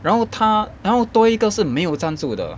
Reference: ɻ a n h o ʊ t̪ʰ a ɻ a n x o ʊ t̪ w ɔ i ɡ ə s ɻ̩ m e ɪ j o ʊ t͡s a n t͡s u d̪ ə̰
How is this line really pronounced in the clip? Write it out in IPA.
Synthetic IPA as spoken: ɻ a n x o ʊ t̪ʰ a ɻ a n x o ʊ t̪ w ɔ i ɡ ə ʂ ɻ̩ m e ɪ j o ʊ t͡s a n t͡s u d̪ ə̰